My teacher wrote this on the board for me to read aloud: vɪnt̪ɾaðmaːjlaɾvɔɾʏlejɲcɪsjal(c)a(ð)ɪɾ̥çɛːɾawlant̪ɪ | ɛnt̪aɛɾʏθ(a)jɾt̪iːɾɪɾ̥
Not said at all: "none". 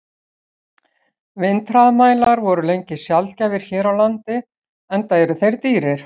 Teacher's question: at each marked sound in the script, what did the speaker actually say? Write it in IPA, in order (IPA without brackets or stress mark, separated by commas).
c, v, e